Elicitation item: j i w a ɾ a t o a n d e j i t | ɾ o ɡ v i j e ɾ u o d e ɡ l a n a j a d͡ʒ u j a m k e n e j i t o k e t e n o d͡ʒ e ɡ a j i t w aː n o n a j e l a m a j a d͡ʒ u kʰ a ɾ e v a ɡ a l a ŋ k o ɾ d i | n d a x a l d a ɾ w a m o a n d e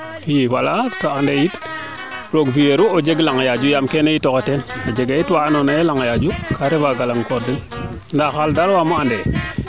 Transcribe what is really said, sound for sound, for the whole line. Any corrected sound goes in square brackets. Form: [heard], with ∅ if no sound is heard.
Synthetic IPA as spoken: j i w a [l] a t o a n d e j i t | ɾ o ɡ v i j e ɾ u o [d͡ʒ] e ɡ l a [ŋ] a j a d͡ʒ u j a m k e n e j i t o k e t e n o d͡ʒ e ɡ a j i t w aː n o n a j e l a [ŋ] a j a d͡ʒ u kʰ a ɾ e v a ɡ a l a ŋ k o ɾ d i | n d a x a l d a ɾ w a m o a n d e